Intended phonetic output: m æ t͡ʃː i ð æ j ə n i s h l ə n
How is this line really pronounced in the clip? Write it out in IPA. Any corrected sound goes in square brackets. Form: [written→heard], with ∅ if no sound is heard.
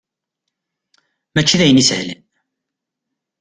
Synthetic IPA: m æ t͡ʃː i ð æ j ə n i s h l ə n